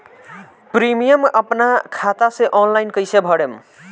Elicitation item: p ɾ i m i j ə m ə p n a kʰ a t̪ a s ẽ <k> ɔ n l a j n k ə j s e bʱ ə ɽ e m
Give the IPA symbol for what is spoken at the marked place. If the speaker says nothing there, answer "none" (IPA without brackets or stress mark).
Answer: ʔ